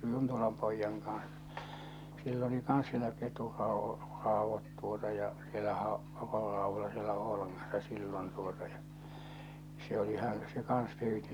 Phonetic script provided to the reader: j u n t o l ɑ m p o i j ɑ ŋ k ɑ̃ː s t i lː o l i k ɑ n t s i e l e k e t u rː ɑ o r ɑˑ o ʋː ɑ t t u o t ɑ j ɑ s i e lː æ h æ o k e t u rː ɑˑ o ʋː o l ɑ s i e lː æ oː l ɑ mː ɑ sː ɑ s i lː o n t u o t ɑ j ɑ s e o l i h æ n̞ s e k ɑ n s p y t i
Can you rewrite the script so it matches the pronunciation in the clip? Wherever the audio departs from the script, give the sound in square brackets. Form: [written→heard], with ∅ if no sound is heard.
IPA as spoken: j u n t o l ɑ m p o i [j→jː] ɑ ŋ k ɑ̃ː s [t→s] i lː o l i k ɑ n [t→s] s i e l [e→æ] k e t u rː ɑ o r ɑˑ o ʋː ɑ t t u o t ɑ j ɑ s i e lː æ h æ o k e t u rː ɑˑ o ʋː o l ɑ s i e lː æ oː l ɑ [mː→ŋː] ɑ sː ɑ s i lː o n t u o t ɑ j ɑ s e o l i h æ n̞ s e k ɑ n s p [y→yː] t i